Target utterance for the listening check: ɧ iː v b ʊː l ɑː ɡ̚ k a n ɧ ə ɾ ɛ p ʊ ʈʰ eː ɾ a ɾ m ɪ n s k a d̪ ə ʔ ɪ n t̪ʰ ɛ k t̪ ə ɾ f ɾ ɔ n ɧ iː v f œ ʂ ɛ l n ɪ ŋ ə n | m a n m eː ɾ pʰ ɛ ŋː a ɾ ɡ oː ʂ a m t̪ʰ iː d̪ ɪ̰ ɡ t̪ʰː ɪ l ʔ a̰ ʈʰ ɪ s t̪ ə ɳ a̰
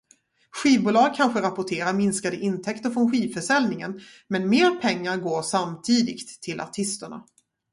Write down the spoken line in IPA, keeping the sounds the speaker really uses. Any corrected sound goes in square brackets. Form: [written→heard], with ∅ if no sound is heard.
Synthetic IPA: ɧ iː v b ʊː l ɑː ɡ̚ [k→kʰ] a n ɧ ə ɾ [ɛ→a] p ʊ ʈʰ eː ɾ a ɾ m ɪ n s k a d̪ ə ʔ ɪ n t̪ʰ ɛ k t̪ ə ɾ f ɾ ɔ n ɧ iː v f œ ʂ ɛ l n ɪ ŋ ə n | m [a→ɛ] n m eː ɾ pʰ ɛ ŋː a ɾ ɡ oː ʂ a m t̪ʰ iː d̪ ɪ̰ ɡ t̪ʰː ɪ l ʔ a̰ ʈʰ ɪ s t̪ ə ɳ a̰